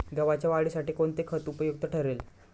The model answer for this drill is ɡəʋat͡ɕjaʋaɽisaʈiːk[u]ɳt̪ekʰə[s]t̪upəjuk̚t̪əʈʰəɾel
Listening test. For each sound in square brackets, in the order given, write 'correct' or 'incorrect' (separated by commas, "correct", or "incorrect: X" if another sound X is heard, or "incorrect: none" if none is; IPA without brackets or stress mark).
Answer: incorrect: o, incorrect: none